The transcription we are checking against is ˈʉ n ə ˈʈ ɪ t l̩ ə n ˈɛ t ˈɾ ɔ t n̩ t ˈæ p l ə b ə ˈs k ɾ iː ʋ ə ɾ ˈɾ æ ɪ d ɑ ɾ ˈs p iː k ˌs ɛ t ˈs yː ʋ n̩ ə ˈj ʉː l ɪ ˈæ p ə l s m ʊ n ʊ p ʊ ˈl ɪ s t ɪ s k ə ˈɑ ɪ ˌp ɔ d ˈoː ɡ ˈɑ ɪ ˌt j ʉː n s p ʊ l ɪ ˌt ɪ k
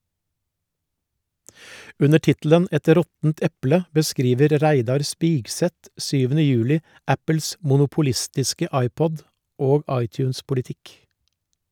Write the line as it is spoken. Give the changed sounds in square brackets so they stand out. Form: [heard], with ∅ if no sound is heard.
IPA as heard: ˈʉ n ə ˈʈ ɪ t l̩ ə n ˈɛ t ˈɾ ɔ t n̩ t [ˈɛ] p l ə b ə ˈs k ɾ iː ʋ ə ɾ ˈɾ æ ɪ d ɑ ɾ ˈs p iː [ɡ] ˌs ɛ t ˈs yː ʋ n̩ ə ˈj ʉː l ɪ ˈæ p ə l s m ʊ n ʊ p ʊ ˈl ɪ s t ɪ s k ə ˈɑ ɪ ˌp ɔ d ˈoː ɡ ˈɑ ɪ ˌt j ʉː n s p ʊ l ɪ ˌt ɪ k